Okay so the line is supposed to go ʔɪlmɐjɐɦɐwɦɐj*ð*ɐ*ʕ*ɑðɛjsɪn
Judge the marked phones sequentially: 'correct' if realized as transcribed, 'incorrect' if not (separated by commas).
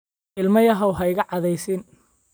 incorrect, correct